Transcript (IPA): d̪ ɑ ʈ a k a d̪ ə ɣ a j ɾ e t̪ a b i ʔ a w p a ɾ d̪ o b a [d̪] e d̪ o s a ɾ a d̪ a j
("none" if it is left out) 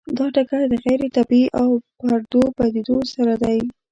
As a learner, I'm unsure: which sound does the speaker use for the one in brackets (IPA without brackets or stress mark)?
d̪